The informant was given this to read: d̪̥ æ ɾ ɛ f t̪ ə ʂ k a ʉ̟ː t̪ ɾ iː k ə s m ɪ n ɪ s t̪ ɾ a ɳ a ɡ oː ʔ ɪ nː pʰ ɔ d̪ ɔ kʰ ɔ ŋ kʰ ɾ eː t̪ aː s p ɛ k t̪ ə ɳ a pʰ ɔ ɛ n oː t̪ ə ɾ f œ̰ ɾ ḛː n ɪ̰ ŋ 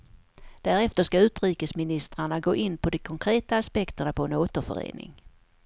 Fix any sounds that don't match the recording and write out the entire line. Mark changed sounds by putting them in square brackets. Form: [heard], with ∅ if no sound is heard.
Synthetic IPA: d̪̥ æ ɾ ɛ f t̪ ə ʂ k a ʉ̟ː t̪ ɾ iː k ə s m ɪ n ɪ s t̪ ɾ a ɳ a ɡ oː ʔ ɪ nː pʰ ɔ d̪ ɔ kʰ ɔ ŋ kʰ ɾ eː t̪ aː s p ɛ k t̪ ə ɳ a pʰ ɔ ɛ n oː t̪ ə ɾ f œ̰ ɾ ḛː n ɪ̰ ŋ